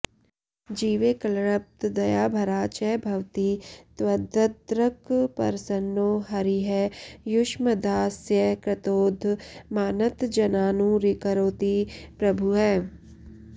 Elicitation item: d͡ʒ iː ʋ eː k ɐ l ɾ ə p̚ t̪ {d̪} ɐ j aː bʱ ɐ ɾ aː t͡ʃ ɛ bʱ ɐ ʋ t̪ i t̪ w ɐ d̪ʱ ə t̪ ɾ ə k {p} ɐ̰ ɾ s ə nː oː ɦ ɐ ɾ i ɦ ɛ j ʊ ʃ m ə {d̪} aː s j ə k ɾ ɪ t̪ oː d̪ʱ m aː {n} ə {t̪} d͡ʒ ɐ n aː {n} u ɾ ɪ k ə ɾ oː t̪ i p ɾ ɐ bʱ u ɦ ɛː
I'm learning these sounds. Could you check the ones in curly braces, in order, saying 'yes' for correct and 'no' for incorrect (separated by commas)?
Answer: yes, yes, yes, yes, yes, yes